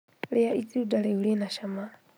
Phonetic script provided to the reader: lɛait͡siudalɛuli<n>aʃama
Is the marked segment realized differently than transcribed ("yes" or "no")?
no